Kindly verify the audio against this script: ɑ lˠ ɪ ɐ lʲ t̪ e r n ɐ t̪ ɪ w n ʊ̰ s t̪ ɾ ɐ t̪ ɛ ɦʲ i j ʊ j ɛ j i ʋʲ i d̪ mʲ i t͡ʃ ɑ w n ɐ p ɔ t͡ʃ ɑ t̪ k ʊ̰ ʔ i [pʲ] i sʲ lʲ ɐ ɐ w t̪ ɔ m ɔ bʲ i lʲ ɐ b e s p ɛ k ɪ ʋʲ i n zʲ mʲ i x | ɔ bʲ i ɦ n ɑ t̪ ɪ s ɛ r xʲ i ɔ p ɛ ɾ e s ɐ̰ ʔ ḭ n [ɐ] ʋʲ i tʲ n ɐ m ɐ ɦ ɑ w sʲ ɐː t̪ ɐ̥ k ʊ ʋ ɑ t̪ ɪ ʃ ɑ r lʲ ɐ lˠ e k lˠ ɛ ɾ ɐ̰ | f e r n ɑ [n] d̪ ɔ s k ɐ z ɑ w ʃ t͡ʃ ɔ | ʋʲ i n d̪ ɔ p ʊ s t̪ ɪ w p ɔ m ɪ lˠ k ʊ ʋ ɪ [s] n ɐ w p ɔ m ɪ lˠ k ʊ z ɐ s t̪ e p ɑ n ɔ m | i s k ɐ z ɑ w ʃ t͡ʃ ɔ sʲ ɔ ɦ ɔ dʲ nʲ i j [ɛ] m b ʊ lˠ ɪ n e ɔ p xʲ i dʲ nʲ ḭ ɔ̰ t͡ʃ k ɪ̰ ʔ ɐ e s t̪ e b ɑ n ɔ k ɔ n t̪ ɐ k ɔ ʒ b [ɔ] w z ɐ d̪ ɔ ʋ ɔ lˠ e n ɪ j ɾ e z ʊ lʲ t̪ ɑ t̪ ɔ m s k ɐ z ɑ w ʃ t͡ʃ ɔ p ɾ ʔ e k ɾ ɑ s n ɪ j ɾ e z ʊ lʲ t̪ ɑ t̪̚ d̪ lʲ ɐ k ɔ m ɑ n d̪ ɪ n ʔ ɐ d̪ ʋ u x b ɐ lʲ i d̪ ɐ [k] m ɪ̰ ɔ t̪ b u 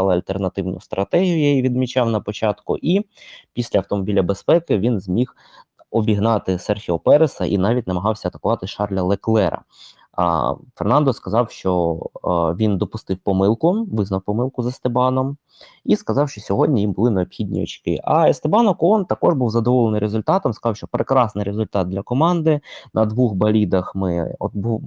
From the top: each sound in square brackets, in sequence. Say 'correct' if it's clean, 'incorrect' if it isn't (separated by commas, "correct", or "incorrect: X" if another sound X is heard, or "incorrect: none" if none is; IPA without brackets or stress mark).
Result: correct, incorrect: ɑ, correct, incorrect: z, incorrect: i, incorrect: u, incorrect: x